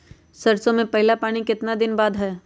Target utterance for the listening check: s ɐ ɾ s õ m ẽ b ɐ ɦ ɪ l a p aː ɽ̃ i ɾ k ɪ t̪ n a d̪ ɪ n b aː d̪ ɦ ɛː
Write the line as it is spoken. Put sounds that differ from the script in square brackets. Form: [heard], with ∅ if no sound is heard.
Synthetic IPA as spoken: s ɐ ɾ s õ m ẽ [p] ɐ ɦ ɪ l a p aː ɽ̃ i [∅] k ɪ t̪ n a d̪ ɪ n b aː d̪ ɦ ɛː

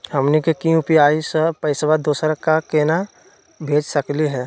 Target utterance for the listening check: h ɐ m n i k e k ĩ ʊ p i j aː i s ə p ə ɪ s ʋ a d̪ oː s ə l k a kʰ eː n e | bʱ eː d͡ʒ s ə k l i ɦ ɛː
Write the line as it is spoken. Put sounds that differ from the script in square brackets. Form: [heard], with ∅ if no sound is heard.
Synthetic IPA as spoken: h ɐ m n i k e k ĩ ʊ p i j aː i s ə p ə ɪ s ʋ a d̪ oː s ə [ɾ] k a [k] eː n [a] | bʱ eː d͡ʒ s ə k l i ɦ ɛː

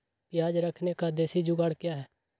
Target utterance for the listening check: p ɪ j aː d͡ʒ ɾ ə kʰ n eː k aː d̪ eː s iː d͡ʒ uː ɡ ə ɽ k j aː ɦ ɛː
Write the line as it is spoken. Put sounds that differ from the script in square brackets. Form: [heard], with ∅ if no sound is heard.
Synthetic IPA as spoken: p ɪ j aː d͡ʒ ɾ ə kʰ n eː k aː d̪ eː s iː d͡ʒ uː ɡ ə ɽ k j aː ɦ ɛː

